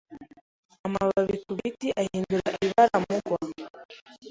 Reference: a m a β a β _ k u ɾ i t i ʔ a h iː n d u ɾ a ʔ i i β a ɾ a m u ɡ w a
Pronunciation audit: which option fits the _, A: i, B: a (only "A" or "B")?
A